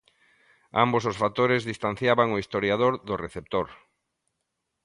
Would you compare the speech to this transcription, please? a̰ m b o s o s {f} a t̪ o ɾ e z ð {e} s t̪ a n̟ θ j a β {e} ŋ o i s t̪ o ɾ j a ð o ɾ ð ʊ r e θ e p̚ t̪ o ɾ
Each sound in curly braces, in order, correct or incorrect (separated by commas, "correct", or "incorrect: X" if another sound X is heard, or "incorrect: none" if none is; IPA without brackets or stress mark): correct, incorrect: i, incorrect: a